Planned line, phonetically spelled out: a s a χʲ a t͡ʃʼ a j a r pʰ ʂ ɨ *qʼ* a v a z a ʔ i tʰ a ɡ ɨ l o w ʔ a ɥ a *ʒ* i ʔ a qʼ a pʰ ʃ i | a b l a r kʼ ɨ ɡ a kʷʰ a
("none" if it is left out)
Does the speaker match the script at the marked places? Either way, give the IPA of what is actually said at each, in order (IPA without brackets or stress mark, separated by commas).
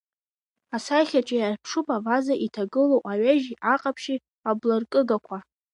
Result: pʼ, ʒ